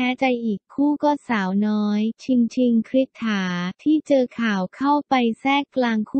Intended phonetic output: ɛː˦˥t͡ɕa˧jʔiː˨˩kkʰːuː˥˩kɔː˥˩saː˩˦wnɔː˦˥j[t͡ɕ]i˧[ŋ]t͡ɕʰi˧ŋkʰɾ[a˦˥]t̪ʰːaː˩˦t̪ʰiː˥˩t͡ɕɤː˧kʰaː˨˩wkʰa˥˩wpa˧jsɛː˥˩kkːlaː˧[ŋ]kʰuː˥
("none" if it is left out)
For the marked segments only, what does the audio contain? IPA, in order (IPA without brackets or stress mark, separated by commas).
t͡ɕʰ, ŋ, i˦˥, ŋ